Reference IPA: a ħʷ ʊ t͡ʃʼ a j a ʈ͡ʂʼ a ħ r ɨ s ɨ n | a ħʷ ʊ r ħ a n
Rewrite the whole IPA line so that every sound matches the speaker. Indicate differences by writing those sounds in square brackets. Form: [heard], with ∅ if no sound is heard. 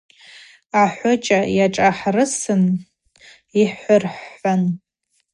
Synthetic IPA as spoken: a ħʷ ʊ t͡ʃʼ a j a ʈ͡ʂʼ a ħ r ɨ s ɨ n | [i] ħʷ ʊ r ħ a n